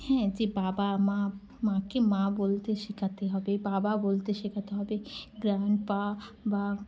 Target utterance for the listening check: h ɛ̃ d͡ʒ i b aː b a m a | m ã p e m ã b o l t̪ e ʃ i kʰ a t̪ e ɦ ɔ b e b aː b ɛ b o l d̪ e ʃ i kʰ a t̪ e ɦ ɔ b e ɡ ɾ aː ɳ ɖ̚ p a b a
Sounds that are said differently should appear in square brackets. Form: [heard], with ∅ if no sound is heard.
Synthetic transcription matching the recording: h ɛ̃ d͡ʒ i b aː b a m a | m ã [k] e m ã b o l t̪ e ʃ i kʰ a t̪ e ɦ ɔ b e b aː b [a] b o l [t̪] e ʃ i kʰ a t̪ e ɦ ɔ b e ɡ ɾ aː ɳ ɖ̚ p a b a